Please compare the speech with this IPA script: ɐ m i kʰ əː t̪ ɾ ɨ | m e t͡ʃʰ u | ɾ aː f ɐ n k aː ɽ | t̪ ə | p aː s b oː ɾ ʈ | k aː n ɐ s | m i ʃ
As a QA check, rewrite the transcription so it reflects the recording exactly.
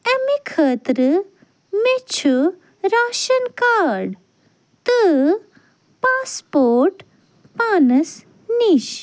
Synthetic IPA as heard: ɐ m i kʰ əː t̪ ɾ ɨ | m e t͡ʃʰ u | ɾ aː ʃ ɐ n k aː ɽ | t̪ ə | p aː s p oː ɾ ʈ | p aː n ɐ s | n i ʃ